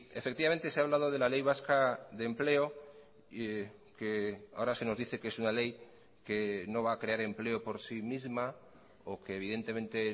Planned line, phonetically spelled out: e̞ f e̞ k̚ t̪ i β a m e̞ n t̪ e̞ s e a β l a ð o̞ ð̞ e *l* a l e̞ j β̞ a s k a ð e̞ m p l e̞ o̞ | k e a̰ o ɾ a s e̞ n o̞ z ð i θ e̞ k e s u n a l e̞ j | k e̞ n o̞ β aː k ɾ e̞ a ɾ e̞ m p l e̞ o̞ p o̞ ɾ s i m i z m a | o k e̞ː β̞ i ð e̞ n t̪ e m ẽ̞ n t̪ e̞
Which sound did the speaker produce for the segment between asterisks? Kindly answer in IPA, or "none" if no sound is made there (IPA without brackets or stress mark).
l